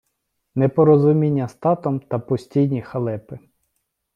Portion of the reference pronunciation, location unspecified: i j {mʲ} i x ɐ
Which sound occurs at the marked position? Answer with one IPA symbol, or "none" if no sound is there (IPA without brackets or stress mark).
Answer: nʲ